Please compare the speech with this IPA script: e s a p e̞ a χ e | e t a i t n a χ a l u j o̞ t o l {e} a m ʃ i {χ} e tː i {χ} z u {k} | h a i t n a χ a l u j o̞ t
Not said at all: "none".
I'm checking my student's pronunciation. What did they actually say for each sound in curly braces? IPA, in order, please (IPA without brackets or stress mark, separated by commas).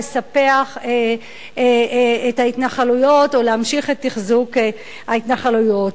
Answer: e, χ, χ, k